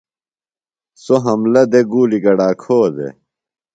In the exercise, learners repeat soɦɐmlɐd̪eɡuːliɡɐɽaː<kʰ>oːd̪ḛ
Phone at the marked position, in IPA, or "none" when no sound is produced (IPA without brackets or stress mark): kʰ